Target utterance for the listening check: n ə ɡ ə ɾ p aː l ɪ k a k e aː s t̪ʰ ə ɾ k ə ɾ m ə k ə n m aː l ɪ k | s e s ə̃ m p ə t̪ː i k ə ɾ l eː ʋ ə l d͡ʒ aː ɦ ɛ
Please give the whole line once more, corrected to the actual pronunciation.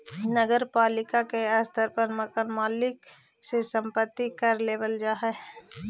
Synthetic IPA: n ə ɡ ə ɾ p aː l ɪ k a k e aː s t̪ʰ ə ɾ p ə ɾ m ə k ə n m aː l ɪ k | s e s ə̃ m p ə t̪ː i k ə ɾ l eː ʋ ə l d͡ʒ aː ɦ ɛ